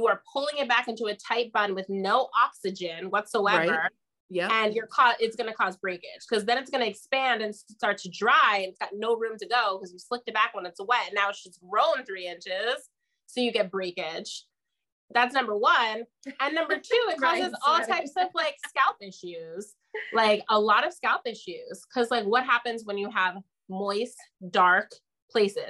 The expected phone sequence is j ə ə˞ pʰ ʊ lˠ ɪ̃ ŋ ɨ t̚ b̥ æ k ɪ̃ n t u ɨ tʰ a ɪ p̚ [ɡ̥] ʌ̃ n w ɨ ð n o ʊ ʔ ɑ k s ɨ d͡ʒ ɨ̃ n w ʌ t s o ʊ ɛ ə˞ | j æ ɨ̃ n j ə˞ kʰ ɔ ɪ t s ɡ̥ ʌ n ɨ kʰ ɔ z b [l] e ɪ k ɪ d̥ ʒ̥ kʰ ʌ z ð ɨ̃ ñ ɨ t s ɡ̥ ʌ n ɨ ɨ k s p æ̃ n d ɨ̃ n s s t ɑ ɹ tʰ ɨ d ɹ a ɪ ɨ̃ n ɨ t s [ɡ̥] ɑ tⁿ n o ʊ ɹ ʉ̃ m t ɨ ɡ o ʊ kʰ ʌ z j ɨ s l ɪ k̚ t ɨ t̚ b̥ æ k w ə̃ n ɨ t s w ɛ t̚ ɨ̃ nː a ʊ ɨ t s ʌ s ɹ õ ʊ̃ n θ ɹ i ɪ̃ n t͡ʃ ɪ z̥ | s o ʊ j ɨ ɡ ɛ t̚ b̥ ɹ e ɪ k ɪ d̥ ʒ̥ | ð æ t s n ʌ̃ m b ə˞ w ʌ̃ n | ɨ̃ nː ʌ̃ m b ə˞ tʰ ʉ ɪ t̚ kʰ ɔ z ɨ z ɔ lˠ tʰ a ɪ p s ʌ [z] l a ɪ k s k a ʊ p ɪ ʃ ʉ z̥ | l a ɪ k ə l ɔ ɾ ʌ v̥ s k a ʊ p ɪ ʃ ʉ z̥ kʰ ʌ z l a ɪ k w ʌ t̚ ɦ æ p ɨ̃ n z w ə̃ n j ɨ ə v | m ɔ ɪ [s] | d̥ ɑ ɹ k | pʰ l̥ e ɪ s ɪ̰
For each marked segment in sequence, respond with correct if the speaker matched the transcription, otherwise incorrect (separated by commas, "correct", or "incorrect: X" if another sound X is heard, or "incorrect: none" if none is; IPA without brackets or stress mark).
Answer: incorrect: b̥, incorrect: ɹ, correct, incorrect: v, correct